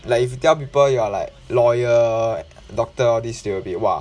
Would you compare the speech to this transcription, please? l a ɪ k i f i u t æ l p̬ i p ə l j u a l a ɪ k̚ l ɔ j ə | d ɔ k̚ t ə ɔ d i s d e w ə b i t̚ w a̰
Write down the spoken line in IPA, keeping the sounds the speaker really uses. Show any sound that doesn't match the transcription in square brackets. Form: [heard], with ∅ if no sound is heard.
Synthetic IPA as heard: l a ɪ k i f [j] u t [ɛ] l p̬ i p ə l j u a l a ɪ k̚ l ɔ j ə | d ɔ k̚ t ə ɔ d i s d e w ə b i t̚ w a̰